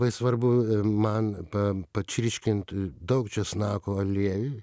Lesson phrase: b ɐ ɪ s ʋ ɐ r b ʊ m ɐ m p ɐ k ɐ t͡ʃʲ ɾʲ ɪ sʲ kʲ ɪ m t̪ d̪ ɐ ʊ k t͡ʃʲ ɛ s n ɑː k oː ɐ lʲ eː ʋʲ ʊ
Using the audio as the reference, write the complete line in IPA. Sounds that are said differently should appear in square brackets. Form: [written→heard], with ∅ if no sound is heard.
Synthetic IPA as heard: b ɐ ɪ s ʋ ɐ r b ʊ m ɐ [m→n] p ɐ [k→p] ɐ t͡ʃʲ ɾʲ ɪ [sʲ→ʃʲ] kʲ ɪ [m→n] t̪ d̪ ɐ ʊ k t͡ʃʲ ɛ s n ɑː k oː ɐ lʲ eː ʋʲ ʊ